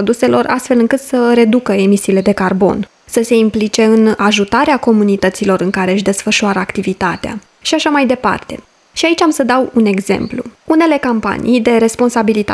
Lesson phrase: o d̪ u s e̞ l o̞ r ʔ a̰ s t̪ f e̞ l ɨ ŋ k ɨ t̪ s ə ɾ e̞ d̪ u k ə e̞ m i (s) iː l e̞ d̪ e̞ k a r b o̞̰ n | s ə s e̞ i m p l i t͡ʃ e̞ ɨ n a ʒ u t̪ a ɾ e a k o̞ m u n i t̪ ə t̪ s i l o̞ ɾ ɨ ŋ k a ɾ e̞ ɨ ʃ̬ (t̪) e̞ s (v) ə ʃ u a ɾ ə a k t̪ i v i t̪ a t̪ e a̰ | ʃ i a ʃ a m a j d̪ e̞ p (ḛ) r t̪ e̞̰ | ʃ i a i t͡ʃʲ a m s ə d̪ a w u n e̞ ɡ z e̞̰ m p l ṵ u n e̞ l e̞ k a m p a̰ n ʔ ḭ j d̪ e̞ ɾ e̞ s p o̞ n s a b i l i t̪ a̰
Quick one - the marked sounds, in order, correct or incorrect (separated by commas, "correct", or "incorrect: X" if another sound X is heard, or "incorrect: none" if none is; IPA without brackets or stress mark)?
correct, incorrect: d̪, incorrect: f, incorrect: a̰